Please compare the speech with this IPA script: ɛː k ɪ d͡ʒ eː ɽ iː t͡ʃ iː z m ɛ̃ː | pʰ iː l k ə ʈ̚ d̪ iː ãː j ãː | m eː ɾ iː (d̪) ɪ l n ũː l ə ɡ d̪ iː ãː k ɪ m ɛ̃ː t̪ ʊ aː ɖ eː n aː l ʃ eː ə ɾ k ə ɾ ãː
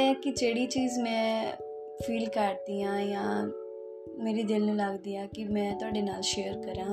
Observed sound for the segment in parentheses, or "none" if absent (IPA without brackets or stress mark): d̪